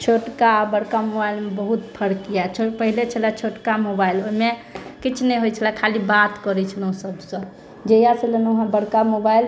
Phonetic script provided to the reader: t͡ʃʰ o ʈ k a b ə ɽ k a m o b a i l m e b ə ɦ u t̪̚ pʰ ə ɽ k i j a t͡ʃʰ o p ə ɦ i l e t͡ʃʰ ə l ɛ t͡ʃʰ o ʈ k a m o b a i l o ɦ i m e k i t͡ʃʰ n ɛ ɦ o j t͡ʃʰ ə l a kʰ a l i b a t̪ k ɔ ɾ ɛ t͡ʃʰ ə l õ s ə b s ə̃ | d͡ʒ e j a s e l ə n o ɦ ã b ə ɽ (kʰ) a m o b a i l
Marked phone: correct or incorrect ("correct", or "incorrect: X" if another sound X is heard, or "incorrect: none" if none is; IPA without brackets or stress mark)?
incorrect: k